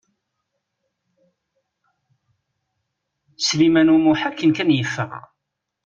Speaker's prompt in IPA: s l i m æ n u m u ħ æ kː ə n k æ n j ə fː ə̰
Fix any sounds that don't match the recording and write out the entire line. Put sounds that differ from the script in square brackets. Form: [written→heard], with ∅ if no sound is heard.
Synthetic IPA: s l i m æ n u m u ħ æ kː ə n k æ n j ə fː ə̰

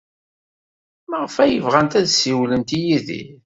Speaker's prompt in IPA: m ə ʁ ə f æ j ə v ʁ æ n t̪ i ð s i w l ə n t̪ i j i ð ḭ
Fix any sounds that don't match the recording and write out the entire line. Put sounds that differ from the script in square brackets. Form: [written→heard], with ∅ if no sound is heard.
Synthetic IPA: m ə ʁ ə f æ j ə v ʁ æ n t̪ [i→æ] ð s i w l ə n t̪ i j i ð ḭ

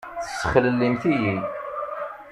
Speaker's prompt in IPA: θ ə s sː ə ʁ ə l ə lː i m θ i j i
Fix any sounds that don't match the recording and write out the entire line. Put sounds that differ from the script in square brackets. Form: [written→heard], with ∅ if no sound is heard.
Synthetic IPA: θ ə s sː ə [ʁ→χ] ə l ə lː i m θ i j i

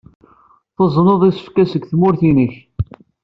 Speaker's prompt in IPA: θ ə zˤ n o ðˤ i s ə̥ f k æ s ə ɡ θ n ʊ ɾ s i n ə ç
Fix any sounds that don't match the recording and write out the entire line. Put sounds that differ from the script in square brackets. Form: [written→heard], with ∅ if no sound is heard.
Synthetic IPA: θ ə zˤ n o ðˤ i s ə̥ f k æ s ə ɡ θ [n→m] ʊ ɾ [s→θ] i n ə ç

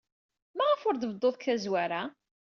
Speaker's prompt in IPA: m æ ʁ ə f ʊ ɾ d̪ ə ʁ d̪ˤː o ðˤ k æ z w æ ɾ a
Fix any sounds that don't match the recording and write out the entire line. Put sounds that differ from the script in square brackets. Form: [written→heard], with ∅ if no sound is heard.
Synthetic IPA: m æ ʁ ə f ʊ ɾ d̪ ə [ʁ→v] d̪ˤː o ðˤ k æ z w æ ɾ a

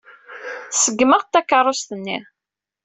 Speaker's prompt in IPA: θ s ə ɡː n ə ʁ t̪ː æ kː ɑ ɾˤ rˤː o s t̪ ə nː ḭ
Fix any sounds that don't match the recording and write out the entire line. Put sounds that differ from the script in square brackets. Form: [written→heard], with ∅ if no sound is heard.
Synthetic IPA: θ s ə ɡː [n→m] ə ʁ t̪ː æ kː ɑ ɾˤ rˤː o s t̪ ə nː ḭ

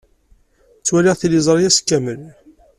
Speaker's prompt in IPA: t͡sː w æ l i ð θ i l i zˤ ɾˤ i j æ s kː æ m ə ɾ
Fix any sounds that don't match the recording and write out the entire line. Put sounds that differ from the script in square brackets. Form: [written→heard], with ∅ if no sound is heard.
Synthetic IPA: t͡sː w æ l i [ð→ʁ] θ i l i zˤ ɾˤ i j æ s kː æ m ə [ɾ→l]

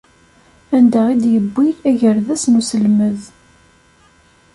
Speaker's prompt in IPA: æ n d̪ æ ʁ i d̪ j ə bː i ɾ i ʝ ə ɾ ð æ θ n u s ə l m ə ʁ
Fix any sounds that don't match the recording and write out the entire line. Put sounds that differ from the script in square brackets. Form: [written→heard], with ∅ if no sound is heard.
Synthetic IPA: æ n d̪ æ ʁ i d̪ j ə bː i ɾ [i→æ] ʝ ə ɾ ð æ [θ→s] n u s ə l m ə [ʁ→ð]

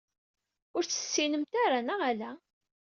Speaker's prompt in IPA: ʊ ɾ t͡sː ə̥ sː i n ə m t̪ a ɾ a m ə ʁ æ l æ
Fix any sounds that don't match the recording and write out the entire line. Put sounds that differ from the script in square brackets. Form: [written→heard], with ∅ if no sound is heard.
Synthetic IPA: ʊ ɾ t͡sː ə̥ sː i n ə m t̪ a ɾ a [m→n] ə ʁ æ l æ

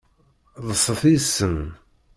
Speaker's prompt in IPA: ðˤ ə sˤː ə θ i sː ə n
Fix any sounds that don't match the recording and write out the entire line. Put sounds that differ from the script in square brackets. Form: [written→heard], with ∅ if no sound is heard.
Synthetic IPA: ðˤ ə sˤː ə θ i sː ə n

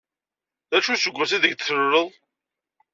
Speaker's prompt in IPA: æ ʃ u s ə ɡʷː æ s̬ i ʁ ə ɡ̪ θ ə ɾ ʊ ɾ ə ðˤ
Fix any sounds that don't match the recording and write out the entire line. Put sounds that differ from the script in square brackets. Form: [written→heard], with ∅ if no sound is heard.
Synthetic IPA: æ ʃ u s ə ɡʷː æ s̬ i [ʁ→ð] ə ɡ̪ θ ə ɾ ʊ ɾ ə ðˤ

